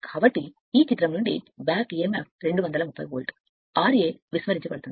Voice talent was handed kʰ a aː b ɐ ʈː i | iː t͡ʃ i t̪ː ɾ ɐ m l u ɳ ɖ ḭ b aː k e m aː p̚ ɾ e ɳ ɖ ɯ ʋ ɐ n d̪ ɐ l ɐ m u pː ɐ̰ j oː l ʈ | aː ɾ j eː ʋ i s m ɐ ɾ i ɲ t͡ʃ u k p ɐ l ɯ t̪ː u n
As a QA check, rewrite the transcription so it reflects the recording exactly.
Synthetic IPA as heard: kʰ a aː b ɐ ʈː i | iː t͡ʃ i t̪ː ɾ ɐ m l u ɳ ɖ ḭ b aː k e m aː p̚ ɾ e ɳ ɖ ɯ ʋ ɐ n d̪ ɐ l ɐ m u pː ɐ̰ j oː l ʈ | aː ɾ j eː ʋ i s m ɐ ɾ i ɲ t͡ʃ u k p ɐ ɽ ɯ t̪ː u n